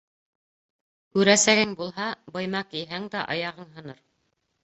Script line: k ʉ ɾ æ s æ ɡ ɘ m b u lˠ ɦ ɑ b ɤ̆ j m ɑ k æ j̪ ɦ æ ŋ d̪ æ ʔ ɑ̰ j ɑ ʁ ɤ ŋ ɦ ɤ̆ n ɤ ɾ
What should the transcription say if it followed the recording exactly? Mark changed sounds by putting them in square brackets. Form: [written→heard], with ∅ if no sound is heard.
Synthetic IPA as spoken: k ʉ ɾ æ s æ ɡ ɘ [m→ŋ] b u lˠ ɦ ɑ b ɤ̆ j m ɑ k [æ→i] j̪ ɦ æ ŋ d̪ æ ʔ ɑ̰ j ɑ ʁ ɤ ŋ ɦ ɤ̆ n ɤ ɾ